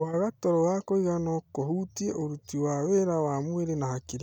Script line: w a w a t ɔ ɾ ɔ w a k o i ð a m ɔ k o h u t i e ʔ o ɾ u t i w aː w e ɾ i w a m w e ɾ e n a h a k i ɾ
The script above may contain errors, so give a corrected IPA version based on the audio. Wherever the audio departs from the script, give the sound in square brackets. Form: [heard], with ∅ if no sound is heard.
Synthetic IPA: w a [ɣ] a t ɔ ɾ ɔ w a k o i [ɣ] a [n] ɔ k o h u t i e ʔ o ɾ u t i w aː w e ɾ [a] w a m w e ɾ e n a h a k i ɾ